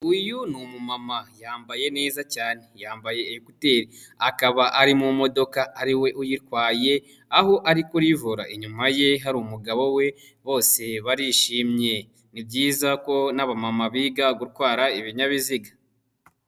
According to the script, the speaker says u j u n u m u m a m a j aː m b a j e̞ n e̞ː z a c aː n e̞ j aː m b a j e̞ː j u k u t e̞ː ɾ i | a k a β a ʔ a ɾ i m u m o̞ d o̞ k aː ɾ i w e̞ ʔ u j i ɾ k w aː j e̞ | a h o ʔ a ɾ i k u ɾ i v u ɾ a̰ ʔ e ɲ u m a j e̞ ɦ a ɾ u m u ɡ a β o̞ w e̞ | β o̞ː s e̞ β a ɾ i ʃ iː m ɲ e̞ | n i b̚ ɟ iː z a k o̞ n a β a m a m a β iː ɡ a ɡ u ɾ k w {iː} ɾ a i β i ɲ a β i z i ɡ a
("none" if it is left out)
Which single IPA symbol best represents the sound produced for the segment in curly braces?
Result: aː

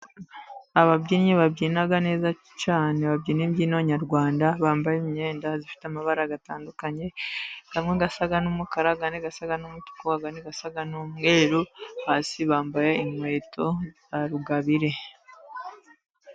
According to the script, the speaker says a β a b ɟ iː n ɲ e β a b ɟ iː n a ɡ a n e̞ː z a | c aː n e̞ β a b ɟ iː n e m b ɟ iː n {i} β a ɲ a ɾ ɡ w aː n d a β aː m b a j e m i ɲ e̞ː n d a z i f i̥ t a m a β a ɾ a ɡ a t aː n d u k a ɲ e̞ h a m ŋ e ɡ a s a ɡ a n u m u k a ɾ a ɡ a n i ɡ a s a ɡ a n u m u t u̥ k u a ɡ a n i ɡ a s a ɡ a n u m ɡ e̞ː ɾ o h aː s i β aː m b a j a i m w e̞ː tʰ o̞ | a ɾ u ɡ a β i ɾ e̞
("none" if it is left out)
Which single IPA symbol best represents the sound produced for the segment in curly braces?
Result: a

